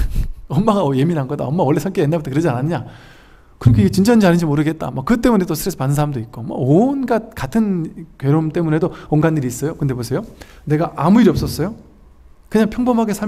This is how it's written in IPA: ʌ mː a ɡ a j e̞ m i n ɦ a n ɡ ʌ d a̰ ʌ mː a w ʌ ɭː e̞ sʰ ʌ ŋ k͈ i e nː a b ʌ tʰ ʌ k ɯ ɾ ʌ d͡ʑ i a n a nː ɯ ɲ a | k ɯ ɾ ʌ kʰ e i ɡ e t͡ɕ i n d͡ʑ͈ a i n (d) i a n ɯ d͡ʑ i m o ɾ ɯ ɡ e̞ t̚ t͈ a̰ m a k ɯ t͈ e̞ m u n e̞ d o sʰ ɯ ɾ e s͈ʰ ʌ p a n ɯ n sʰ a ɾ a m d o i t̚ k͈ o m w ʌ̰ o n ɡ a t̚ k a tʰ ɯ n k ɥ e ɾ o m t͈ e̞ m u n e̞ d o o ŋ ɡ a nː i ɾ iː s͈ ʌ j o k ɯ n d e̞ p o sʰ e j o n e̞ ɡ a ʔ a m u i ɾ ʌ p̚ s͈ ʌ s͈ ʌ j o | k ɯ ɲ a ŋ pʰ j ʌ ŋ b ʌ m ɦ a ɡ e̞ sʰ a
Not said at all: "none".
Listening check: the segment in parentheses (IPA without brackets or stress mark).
d͡ʑ